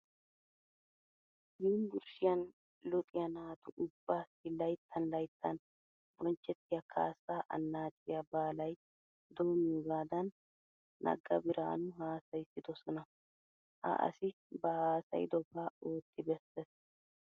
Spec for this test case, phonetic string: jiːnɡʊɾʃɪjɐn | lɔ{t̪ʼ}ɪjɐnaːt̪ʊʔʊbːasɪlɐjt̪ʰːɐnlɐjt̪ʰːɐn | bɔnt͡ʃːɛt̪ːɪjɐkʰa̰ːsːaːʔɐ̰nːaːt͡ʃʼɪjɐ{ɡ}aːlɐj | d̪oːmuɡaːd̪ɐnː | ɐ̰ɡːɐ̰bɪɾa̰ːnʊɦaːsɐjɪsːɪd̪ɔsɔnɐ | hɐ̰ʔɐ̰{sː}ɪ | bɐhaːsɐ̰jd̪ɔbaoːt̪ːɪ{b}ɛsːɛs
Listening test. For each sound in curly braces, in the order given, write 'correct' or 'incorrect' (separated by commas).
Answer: correct, incorrect, incorrect, correct